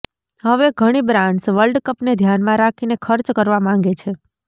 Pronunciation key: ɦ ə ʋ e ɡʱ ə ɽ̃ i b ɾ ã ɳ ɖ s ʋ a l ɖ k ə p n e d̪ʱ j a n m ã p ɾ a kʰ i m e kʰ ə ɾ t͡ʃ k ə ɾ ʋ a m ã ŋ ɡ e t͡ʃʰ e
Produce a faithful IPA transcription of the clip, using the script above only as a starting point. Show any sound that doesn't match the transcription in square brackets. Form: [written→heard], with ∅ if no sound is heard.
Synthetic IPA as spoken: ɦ ə ʋ e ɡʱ ə ɽ̃ i b ɾ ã ɳ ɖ s ʋ [a→ə] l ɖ k ə p n e d̪ʱ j a n m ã [p→∅] ɾ a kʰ i [m→n] e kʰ ə ɾ t͡ʃ k ə ɾ ʋ a m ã ŋ ɡ e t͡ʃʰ e